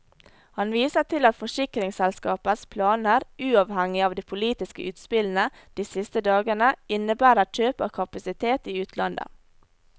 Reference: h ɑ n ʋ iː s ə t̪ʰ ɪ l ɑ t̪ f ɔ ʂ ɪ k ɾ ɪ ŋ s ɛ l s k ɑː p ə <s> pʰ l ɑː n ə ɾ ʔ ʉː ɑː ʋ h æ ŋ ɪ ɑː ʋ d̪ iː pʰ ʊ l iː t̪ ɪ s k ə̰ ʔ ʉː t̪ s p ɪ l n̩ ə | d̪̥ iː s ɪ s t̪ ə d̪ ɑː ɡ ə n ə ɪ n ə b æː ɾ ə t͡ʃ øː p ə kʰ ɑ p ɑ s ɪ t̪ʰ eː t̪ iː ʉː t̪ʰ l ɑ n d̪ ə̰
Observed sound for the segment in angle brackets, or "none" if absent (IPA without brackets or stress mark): s